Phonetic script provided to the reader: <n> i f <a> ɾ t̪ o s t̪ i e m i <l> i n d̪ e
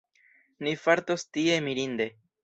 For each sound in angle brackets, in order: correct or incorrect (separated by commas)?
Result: correct, correct, incorrect